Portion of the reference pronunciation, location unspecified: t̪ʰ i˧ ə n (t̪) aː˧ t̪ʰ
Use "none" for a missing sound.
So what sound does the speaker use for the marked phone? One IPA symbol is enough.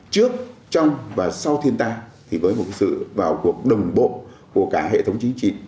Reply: t̪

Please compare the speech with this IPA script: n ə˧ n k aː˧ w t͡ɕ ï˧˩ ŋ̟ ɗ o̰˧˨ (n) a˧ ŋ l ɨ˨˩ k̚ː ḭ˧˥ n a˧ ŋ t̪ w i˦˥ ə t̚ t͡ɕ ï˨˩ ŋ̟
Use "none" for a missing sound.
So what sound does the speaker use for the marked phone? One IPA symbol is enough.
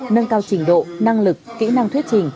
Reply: n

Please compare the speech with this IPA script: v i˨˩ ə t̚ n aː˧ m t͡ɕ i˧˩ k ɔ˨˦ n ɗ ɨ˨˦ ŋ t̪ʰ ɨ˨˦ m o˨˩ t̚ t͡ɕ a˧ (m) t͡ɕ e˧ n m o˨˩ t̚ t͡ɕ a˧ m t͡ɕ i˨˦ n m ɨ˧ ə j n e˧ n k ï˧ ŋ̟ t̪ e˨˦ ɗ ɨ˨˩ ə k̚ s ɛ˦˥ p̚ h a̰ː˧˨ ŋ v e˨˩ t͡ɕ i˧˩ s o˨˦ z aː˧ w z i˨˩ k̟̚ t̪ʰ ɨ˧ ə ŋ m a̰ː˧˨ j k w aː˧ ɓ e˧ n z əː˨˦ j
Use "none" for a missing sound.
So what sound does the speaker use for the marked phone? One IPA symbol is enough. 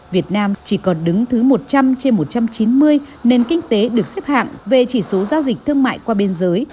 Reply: m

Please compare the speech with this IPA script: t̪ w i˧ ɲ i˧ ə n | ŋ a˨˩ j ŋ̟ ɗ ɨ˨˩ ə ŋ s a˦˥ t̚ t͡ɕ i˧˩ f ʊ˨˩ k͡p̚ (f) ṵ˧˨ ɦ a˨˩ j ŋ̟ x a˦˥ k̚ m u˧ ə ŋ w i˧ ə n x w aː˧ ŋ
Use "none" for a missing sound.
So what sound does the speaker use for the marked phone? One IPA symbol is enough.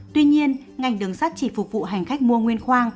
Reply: v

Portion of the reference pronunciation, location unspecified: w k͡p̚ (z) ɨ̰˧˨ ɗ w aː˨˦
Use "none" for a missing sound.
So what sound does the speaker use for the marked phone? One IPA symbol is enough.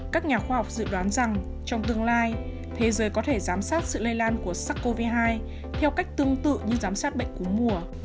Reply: z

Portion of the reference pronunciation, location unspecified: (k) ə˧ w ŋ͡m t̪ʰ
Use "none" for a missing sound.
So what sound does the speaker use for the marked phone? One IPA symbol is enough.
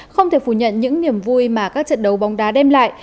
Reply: x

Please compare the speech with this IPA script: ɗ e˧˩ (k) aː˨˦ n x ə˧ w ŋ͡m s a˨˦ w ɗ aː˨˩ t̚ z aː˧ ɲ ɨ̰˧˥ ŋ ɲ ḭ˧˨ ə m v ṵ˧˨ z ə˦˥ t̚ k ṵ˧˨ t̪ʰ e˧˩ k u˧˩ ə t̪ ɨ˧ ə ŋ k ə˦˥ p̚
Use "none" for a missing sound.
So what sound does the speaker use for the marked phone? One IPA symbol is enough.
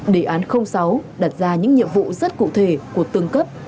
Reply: ʔ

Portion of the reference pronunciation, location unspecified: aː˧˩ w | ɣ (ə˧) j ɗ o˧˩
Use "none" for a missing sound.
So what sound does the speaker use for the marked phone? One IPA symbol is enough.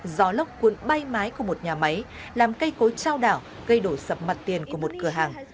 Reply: ə˧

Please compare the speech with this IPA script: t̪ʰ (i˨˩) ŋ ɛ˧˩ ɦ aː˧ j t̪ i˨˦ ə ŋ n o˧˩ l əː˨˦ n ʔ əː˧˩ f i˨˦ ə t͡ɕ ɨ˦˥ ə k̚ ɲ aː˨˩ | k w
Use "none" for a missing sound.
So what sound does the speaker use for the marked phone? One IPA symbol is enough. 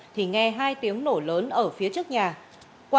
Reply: i˨˩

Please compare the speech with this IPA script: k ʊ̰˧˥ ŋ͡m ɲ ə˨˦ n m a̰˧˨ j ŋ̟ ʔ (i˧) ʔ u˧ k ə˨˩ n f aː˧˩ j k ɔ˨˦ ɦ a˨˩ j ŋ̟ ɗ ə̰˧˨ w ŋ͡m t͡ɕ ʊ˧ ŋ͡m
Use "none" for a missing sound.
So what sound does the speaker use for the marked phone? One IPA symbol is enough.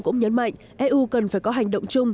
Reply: ɛ˧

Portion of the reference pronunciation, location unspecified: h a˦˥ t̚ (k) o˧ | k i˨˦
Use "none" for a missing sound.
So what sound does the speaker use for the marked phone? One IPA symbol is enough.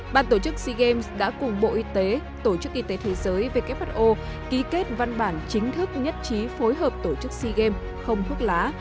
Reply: ʔ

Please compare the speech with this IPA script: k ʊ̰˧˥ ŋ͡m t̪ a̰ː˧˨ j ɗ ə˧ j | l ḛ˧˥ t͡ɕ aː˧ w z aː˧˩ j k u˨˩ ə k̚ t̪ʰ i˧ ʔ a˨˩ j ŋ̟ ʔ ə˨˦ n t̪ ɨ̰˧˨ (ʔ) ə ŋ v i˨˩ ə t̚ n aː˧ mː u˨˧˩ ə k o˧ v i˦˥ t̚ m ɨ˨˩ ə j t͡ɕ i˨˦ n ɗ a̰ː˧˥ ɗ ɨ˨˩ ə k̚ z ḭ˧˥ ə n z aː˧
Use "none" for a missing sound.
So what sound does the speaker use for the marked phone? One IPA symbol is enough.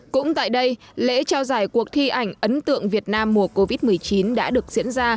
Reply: none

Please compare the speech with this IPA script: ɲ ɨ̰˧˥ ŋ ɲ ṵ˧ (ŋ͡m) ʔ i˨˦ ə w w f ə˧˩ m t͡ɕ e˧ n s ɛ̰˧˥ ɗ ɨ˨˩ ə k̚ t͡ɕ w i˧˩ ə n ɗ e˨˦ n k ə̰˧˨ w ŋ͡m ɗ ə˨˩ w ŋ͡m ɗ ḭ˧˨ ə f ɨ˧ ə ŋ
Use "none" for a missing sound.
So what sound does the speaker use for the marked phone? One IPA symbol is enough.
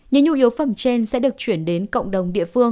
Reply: none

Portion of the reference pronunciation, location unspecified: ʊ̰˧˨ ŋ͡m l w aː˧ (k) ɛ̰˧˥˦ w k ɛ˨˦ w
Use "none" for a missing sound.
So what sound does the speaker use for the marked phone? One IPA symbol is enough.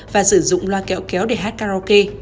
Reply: k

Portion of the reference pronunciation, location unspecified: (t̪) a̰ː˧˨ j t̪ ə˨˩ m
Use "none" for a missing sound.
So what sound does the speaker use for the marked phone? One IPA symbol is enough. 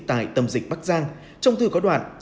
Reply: t̪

